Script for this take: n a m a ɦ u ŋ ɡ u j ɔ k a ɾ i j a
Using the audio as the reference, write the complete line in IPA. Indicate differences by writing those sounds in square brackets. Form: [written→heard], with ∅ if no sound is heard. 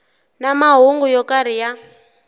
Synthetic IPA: n a m a ɦ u ŋ ɡ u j ɔ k a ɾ i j a